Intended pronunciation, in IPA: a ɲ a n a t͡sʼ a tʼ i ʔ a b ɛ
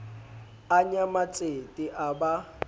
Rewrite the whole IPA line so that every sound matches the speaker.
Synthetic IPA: a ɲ a m a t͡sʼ e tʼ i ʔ a b a